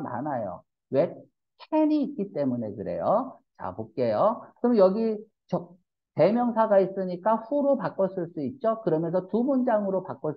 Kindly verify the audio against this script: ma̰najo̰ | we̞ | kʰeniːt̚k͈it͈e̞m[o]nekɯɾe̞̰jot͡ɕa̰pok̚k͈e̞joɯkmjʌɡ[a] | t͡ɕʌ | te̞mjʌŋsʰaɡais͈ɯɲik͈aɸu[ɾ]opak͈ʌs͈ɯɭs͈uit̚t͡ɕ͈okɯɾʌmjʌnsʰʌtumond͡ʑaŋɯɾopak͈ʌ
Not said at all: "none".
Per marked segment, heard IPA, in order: u, i, ɾ

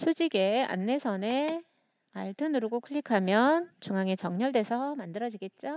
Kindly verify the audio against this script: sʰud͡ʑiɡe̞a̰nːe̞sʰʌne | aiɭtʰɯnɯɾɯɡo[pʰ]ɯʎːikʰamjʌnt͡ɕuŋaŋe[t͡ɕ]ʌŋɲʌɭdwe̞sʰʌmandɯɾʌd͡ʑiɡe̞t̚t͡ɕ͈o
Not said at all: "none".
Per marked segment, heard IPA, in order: kʰ, t͡ɕ

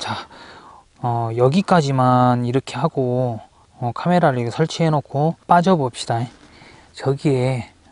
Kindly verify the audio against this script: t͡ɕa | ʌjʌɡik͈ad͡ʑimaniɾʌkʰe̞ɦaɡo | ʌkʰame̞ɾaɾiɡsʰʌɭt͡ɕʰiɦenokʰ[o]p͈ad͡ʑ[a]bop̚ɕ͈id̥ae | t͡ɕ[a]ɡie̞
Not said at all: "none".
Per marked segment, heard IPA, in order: o, ʌ, ʌ

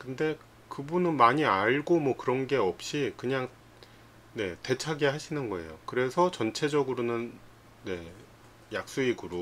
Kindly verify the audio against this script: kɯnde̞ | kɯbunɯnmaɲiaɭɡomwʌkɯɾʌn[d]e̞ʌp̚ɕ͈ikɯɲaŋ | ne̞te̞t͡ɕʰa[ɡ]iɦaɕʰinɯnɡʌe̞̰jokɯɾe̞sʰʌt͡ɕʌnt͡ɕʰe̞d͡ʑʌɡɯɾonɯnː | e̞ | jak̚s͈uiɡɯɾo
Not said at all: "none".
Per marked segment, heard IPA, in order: ɡ, ɡ

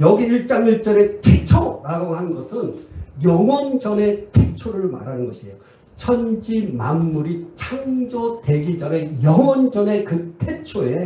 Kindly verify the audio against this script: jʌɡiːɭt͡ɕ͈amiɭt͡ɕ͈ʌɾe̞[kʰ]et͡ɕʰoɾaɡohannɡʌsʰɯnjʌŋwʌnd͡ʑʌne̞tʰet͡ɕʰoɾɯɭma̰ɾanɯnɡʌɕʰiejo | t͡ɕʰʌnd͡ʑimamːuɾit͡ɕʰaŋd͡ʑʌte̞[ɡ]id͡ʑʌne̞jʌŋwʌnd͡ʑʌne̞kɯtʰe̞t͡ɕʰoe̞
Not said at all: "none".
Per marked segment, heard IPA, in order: tʰ, ɡ

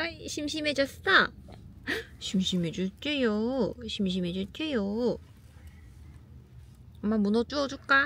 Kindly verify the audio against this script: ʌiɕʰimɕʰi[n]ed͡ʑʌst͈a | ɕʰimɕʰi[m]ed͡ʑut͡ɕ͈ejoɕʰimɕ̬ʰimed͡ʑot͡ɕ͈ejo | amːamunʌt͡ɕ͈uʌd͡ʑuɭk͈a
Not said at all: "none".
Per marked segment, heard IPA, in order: m, m

